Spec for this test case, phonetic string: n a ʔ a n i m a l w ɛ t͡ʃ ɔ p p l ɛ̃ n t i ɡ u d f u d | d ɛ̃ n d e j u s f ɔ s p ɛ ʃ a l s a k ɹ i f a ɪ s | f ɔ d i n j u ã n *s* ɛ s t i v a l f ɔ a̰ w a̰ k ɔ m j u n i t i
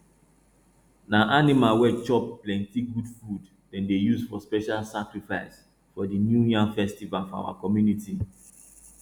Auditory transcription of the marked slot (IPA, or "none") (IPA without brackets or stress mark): f